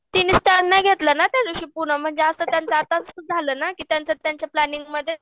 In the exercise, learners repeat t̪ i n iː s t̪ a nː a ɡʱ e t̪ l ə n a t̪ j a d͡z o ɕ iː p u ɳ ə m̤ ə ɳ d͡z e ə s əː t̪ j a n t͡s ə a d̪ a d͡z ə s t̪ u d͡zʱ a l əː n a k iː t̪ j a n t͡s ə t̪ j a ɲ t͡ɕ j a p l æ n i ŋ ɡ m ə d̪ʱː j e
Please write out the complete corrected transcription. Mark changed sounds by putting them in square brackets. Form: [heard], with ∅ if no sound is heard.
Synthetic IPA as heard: t̪ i n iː s t̪ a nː a ɡʱ e t̪ l ə n a t̪ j a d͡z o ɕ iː p u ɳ ə m̤ ə ɳ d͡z e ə s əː t̪ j a n t͡s ə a [t̪] a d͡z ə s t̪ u d͡zʱ a l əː n a k iː t̪ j a n t͡s ə t̪ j a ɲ t͡ɕ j a p l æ n i ŋ ɡ m ə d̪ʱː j e